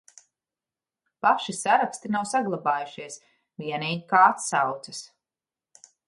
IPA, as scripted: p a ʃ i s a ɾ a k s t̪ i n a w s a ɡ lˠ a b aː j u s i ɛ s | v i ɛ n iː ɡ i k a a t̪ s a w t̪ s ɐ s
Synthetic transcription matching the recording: p a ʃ i s a ɾ a k s t̪ i n a w s a ɡ lˠ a b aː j u ʃ i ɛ s | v i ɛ n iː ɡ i k a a t̪ s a w t̪ s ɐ s

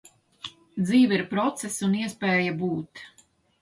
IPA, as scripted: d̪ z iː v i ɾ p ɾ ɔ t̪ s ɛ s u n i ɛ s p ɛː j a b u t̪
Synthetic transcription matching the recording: d̪ z iː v i ɾ p ɾ ɔ t̪ s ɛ s u n i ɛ s p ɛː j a b uː t̪

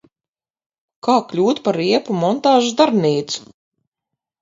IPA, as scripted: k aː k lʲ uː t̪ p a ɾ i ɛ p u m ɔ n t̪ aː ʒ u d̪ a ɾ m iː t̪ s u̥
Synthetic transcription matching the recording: k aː k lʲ uː t̪ p a ɾ i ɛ p u m ɔ n t̪ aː ʒ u d̪ a ɾ n iː t̪ s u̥

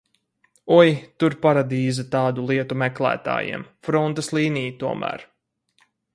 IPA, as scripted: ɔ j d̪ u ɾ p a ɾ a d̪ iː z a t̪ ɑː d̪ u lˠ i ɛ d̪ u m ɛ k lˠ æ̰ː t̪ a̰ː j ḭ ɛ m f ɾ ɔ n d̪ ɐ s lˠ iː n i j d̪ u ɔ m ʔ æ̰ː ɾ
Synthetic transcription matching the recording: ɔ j t̪ u ɾ p a ɾ a d̪ iː z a t̪ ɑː d̪ u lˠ i ɛ t̪ u m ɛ k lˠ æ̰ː t̪ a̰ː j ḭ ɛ m f ɾ ɔ n t̪ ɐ s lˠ iː n i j t̪ u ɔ m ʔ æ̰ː ɾ

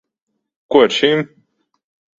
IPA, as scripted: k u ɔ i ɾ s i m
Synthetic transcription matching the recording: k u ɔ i ɾ ʃ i m

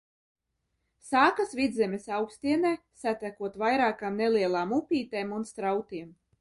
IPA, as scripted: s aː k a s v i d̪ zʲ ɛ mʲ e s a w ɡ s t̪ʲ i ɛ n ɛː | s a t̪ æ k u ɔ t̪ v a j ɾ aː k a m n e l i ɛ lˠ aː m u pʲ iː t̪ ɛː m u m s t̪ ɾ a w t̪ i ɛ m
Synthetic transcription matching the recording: s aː k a s v i d̪ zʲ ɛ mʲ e s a w k s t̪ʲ i ɛ n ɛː | s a t̪ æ k u ɔ t̪ v a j ɾ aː k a m n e l i ɛ lˠ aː m u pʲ iː t̪ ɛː m u n s t̪ ɾ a w t̪ i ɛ m

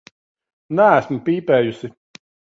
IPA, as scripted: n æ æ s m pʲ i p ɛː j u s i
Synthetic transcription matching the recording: n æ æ s m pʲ iː p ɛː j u s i

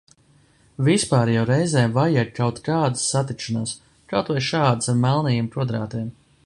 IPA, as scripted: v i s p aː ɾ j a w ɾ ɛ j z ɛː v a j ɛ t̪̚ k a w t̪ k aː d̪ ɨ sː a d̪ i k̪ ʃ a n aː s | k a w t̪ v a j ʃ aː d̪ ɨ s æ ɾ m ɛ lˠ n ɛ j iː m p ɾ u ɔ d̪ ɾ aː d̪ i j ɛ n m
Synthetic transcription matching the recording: v i s p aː ɾ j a w ɾ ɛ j z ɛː v a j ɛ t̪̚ k a w t̪ k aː d̪ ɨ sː a t̪ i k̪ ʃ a n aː s | k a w t̪ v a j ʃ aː d̪ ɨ s a ɾ m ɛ lˠ n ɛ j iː m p ɾ u ɔ d̪ ɾ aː t̪ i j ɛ m

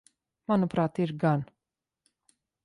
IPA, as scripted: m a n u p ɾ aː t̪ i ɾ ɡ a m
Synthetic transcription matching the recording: m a n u p ɾ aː t̪ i ɾ ɡ a n

